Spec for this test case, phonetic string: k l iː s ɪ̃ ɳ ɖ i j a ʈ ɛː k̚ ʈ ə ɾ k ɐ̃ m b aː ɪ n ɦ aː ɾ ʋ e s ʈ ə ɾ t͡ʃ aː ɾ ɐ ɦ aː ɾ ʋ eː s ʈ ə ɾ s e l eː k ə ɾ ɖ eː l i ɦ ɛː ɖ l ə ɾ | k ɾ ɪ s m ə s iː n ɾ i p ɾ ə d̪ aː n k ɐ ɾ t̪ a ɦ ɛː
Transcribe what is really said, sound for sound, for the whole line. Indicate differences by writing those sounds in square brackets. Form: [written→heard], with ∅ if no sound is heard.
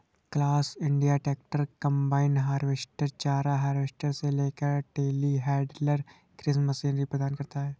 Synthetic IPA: k l [iː→aː] s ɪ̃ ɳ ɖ i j a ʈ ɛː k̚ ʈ ə ɾ k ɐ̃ m b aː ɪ n ɦ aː ɾ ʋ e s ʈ ə ɾ t͡ʃ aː ɾ [ɐ→a] ɦ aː ɾ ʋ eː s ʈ ə ɾ s e l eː k ə ɾ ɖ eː l i ɦ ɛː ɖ l ə ɾ | k ɾ ɪ s m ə s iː n ɾ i p ɾ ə d̪ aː n k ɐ ɾ t̪ a ɦ ɛː